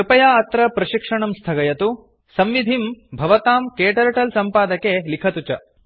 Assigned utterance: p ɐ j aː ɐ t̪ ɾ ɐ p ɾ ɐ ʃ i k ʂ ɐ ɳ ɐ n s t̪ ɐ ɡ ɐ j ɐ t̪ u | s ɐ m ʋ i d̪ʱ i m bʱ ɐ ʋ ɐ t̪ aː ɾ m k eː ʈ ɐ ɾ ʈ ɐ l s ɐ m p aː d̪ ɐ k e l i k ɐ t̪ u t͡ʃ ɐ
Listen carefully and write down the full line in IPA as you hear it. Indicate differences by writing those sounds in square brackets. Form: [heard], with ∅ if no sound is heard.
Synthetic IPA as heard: p ɐ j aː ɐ t̪ ɾ ɐ p ɾ ɐ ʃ i k ʂ ɐ ɳ ɐ [m] s [t̪ʰ] ɐ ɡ ɐ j ɐ t̪ u | s ɐ m ʋ i d̪ʱ i m bʱ ɐ ʋ ɐ t̪ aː [∅] m k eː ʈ ɐ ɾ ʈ ɐ l s ɐ m p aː d̪ ɐ k e l i [kʰ] ɐ t̪ u t͡ʃ ɐ